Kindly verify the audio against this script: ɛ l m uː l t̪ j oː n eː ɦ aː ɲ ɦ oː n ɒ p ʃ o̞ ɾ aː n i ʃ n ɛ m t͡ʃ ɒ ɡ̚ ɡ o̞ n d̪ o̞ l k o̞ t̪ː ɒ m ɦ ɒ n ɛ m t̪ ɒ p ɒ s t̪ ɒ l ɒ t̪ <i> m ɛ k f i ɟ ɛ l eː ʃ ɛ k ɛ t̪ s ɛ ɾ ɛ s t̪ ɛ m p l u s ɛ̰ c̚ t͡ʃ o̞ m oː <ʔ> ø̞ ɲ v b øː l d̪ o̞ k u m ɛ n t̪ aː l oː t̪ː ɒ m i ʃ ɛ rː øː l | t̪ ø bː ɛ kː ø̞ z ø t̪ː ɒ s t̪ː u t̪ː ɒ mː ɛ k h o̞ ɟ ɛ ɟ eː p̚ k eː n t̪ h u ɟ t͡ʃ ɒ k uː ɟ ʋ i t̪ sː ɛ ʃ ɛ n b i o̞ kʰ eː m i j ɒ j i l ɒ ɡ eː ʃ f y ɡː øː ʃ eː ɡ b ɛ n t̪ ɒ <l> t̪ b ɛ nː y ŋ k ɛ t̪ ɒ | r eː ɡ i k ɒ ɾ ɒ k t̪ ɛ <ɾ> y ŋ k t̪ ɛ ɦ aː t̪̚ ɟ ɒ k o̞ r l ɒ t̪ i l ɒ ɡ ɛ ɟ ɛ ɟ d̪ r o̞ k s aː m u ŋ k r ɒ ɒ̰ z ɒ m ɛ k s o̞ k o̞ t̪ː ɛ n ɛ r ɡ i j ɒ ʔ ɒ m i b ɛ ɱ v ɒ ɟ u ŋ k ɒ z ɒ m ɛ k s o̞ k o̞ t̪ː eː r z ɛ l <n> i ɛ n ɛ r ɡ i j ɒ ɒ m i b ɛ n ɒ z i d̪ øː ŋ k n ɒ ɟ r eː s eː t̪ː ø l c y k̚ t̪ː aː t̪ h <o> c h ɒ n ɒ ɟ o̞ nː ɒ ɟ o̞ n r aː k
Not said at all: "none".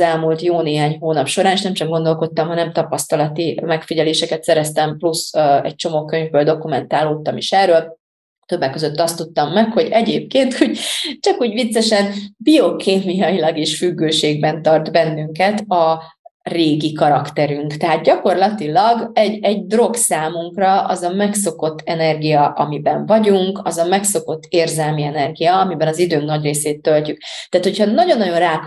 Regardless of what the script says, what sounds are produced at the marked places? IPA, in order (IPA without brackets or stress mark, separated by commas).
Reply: i, k, r, ɾ, m, o